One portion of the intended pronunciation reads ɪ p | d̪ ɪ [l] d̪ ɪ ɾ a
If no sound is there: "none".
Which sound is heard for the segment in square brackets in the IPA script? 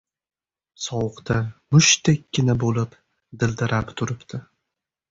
l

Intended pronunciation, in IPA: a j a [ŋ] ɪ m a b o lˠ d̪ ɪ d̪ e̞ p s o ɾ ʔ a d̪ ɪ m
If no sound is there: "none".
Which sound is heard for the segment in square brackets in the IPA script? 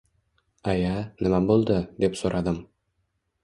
n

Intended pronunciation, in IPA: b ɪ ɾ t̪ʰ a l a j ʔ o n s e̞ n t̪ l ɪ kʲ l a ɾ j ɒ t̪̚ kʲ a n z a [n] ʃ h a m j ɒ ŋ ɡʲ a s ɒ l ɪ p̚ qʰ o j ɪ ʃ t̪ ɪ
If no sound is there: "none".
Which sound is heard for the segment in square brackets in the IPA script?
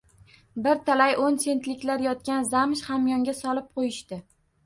m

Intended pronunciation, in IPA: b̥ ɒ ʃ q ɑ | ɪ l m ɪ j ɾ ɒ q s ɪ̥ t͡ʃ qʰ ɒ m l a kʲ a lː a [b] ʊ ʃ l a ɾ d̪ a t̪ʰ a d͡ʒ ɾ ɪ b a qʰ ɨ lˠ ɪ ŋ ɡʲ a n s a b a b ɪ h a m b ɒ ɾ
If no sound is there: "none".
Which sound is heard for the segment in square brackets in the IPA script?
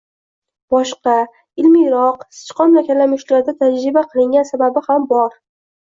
m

